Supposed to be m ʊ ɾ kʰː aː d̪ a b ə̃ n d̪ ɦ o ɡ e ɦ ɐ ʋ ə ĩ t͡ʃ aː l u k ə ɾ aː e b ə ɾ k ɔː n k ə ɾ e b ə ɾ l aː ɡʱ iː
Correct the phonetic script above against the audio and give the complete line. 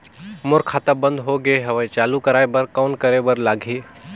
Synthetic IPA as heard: m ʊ ɾ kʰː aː t̪ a b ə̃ n d̪ ɦ o ɡ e ɦ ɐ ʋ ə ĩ t͡ʃ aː l u k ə ɾ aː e b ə ɾ k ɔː n k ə ɾ e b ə ɾ l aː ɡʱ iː